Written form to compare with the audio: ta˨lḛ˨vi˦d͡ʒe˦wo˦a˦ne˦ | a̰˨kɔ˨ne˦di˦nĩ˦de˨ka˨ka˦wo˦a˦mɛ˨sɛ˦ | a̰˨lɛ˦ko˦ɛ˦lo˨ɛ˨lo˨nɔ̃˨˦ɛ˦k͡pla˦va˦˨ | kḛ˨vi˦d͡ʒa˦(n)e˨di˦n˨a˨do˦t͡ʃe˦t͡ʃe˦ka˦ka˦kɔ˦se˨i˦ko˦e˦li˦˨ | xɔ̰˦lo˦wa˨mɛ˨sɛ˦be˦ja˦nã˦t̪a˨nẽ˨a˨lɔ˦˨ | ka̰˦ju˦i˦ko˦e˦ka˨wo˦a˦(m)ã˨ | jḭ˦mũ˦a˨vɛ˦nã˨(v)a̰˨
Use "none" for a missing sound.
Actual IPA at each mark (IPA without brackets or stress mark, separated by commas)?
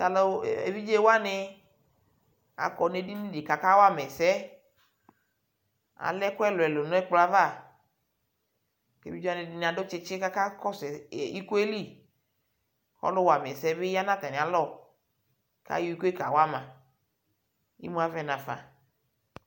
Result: n, m, f